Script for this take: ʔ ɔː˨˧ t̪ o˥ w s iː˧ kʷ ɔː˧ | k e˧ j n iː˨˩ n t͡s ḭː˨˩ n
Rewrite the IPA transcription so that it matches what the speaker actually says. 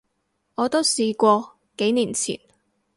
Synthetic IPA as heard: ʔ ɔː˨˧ t̪ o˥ w s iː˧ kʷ ɔː˧ | k e˨˥ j n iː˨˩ n t͡sʰ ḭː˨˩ n